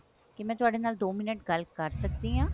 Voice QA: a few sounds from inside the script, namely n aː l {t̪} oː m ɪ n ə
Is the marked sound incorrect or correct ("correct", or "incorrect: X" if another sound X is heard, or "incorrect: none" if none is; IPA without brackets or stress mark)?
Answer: incorrect: d̪